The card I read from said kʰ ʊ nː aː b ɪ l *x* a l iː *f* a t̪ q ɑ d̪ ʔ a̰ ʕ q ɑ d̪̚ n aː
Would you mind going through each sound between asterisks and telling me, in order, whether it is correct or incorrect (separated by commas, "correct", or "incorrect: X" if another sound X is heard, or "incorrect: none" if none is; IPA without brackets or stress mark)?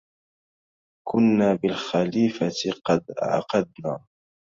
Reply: correct, correct